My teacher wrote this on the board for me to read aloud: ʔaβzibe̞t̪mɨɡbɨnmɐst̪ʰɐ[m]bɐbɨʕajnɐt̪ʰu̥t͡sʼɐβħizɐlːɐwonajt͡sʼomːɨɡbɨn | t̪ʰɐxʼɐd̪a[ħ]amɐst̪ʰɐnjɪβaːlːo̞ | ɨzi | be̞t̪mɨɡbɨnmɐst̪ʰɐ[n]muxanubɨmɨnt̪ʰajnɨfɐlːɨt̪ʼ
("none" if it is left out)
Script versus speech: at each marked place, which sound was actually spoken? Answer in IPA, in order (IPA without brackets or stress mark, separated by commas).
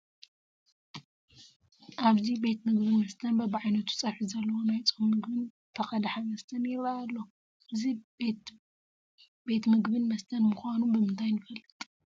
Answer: n, ħ, n